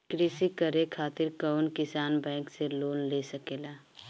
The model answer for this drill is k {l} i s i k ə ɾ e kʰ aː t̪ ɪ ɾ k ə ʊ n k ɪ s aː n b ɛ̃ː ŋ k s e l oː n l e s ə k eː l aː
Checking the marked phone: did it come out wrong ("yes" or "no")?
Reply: yes